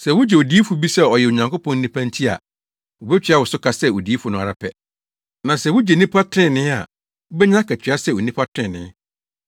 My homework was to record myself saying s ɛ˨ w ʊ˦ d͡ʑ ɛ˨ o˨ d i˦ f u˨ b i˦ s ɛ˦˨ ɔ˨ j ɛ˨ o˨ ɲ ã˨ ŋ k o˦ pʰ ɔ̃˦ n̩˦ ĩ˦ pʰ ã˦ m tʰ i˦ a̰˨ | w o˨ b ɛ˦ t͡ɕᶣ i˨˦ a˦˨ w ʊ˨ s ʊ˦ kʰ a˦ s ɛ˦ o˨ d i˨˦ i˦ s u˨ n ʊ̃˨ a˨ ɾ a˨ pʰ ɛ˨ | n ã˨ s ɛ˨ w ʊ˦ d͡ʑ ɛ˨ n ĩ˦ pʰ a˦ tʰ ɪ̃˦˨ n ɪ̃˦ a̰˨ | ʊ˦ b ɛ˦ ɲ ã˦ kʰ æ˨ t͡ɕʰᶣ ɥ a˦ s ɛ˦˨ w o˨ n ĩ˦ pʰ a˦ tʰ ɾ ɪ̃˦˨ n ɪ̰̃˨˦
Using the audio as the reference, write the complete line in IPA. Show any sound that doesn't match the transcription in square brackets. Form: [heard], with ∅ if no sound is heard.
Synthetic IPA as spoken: s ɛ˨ w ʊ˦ d͡ʑ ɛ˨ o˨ d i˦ f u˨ b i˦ s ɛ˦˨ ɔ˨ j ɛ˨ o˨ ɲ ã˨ ŋ k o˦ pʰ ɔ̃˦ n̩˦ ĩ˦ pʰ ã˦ [n] tʰ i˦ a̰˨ | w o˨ b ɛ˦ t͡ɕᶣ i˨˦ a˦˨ w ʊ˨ s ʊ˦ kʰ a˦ s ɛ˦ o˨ d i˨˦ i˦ [f] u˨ n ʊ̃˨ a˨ ɾ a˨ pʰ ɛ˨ | n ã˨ s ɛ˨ w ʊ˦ d͡ʑ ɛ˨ n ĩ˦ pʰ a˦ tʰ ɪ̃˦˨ n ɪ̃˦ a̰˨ | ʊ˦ b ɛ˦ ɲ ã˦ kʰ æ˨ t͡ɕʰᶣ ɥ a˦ s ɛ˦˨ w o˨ n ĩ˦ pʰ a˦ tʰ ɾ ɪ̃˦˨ n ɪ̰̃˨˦